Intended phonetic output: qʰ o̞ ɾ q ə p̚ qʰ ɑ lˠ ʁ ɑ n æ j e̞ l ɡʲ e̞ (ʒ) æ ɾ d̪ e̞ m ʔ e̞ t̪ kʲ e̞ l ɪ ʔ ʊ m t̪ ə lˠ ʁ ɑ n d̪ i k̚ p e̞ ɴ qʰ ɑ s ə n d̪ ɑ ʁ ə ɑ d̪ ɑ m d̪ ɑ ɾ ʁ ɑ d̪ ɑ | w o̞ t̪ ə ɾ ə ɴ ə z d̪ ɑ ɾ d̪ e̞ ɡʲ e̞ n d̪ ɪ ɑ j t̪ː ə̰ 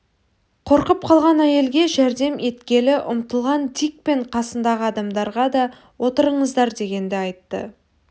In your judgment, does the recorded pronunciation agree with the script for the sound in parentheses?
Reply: yes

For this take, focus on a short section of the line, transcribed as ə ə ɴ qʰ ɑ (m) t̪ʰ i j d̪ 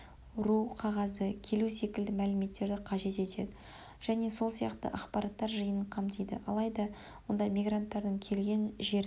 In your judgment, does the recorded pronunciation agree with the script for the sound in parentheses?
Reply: yes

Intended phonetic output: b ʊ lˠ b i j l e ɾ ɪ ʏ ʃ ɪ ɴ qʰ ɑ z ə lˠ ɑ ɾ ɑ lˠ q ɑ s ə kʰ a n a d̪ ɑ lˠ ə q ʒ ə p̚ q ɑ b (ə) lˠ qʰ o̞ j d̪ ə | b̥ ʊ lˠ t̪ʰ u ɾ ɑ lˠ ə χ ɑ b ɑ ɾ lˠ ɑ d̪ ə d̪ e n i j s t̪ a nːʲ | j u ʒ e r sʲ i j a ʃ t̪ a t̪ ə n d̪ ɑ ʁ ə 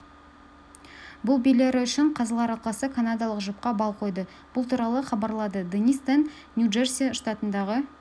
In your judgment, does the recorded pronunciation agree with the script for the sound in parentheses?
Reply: no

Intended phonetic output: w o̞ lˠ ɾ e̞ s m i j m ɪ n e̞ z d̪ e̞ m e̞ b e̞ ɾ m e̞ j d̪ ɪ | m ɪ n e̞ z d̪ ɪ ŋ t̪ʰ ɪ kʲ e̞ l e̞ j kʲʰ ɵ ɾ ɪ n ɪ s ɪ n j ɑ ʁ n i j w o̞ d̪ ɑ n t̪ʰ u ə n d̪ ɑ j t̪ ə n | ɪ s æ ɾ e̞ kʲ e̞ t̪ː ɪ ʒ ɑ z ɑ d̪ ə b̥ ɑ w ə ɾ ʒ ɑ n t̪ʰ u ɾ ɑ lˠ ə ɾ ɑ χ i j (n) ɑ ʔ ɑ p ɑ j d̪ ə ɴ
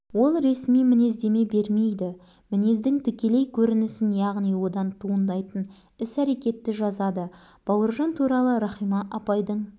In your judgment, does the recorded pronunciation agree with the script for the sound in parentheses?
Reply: no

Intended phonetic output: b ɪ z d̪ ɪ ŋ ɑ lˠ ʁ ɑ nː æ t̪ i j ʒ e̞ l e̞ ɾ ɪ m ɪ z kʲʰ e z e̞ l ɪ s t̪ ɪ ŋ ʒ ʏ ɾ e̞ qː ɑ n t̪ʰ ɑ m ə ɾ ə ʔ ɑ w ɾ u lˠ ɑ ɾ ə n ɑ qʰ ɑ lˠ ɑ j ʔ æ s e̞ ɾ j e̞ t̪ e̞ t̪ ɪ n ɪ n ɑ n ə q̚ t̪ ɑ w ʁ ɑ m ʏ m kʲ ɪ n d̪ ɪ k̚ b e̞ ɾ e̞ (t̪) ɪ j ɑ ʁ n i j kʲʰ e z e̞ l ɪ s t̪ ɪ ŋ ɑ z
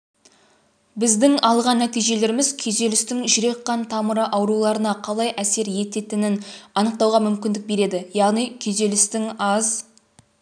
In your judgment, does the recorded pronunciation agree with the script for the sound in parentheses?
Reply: no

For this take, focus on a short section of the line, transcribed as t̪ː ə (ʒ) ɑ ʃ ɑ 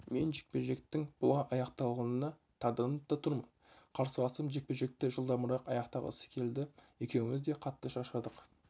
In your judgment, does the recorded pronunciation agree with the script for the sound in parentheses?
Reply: no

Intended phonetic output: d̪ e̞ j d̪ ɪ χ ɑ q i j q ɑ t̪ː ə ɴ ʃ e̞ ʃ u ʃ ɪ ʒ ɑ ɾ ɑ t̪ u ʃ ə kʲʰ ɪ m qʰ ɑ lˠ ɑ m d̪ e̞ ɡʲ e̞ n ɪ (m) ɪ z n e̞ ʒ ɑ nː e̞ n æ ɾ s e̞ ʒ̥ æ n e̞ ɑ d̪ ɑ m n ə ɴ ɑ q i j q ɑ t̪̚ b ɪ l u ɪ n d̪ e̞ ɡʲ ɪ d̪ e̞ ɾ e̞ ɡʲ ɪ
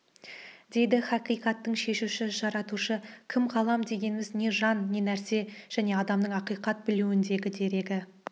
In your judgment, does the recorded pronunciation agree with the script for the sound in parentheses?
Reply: yes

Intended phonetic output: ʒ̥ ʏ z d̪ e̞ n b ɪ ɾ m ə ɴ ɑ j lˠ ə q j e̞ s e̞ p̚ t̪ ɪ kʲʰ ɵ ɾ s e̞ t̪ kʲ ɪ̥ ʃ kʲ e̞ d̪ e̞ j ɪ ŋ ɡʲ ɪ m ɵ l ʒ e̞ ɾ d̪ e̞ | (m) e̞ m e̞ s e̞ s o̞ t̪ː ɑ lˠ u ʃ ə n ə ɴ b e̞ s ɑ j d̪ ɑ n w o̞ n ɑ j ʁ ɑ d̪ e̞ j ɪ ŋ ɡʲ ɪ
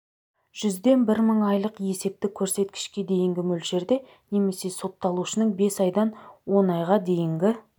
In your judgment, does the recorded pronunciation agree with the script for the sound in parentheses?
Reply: no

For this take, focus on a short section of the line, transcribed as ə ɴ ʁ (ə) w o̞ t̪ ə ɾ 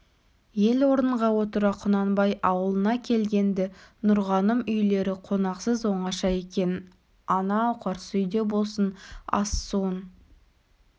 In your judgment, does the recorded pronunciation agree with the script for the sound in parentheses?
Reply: no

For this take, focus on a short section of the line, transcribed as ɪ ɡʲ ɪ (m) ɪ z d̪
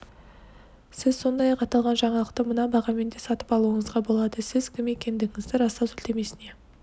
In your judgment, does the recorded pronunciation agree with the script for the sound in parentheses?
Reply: no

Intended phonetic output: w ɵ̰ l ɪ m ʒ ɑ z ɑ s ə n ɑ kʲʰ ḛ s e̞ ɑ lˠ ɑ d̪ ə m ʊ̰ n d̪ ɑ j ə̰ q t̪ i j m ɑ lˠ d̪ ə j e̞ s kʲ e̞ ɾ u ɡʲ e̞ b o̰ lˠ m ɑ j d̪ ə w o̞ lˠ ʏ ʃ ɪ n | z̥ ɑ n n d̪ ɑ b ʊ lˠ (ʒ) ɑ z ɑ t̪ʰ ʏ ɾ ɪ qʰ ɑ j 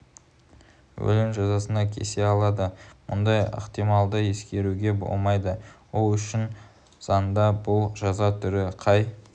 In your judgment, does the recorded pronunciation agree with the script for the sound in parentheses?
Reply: yes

